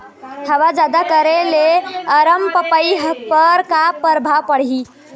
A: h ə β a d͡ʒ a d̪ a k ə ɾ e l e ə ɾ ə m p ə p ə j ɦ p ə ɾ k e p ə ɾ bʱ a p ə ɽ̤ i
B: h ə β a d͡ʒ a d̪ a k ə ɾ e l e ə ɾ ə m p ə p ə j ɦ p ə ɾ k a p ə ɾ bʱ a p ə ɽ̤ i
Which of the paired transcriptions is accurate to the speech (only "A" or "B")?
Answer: B